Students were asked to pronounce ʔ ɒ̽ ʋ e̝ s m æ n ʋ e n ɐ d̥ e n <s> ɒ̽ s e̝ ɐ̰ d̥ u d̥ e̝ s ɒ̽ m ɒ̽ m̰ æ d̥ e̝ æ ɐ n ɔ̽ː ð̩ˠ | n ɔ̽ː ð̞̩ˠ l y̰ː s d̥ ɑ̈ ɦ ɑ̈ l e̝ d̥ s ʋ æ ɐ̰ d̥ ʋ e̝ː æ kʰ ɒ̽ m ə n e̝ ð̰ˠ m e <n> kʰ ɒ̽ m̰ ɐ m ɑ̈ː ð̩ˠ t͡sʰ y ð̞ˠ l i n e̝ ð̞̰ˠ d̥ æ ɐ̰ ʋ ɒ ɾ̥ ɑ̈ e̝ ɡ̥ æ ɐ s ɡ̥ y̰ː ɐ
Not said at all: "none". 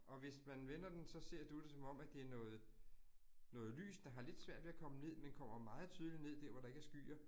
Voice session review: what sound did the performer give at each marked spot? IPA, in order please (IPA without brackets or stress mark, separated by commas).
s, n